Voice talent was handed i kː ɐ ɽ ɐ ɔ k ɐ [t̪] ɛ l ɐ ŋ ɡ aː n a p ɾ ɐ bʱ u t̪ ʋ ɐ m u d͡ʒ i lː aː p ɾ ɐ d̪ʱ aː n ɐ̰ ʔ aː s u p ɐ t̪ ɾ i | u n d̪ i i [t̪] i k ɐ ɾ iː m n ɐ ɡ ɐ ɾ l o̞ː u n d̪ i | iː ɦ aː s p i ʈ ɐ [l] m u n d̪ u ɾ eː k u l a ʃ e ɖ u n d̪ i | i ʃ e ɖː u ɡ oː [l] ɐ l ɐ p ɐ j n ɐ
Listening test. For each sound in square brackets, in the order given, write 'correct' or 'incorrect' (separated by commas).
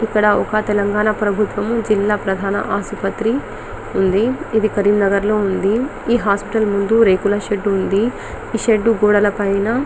correct, incorrect, correct, incorrect